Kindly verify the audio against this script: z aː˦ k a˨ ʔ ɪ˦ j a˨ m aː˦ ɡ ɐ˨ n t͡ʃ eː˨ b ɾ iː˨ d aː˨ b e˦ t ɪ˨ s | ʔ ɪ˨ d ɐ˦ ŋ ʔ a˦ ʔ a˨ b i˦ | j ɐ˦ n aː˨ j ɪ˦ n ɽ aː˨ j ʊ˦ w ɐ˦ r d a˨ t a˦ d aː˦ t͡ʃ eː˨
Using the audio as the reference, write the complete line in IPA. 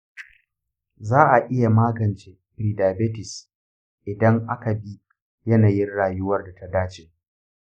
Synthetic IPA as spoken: z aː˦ ʔ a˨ ʔ ɪ˦ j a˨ m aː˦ ɡ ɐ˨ n t͡ʃ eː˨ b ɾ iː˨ d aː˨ b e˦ t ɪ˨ s | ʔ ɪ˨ d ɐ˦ ŋ ʔ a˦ k a˨ b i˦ | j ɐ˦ n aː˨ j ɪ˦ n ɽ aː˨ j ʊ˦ w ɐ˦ r d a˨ t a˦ d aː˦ t͡ʃ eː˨